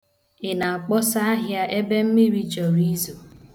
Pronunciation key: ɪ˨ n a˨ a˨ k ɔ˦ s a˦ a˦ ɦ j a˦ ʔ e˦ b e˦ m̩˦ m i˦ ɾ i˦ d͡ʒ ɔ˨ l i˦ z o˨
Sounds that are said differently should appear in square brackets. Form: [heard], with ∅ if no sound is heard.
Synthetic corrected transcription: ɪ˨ n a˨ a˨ [k͡p] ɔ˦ s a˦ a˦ ɦ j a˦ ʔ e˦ b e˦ m̩˦ m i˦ ɾ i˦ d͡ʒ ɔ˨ [ɾ] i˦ z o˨